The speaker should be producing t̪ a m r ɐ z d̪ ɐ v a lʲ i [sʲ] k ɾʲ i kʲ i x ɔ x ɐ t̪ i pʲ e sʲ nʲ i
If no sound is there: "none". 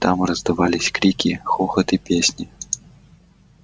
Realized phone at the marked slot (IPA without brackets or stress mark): sʲ